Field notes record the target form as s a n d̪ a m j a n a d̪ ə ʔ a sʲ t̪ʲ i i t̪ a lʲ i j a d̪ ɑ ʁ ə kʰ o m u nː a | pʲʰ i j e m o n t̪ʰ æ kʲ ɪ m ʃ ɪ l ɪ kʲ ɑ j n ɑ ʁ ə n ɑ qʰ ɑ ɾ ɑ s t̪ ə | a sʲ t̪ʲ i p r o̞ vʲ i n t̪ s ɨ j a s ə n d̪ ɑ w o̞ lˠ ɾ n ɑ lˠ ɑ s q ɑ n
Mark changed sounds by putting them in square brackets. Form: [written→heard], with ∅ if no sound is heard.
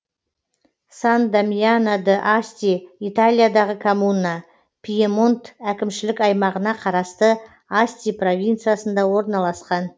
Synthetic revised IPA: s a n d̪ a m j a n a d̪ ə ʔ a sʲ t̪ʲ i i t̪ a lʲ i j a d̪ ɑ ʁ ə kʰ o m u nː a | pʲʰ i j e m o n [t̪ʰ→t̪] æ kʲ ɪ m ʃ ɪ l ɪ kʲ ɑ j [n→m] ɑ ʁ ə n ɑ qʰ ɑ ɾ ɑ s t̪ ə | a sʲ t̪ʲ i p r o̞ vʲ i n t̪ s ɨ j a s ə n d̪ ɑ w o̞ [lˠ→∅] ɾ n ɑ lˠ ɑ s q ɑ n